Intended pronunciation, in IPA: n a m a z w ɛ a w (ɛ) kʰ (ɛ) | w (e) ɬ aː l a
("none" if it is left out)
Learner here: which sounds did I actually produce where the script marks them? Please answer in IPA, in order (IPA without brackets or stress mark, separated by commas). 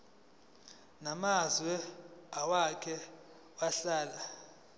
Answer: a, ɛ, a